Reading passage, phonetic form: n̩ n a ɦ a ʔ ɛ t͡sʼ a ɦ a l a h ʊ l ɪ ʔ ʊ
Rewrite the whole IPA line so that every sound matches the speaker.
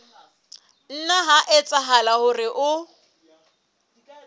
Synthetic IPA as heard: n̩ n a ɦ a ʔ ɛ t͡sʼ a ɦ a l a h ʊ r ɪ ʔ ʊ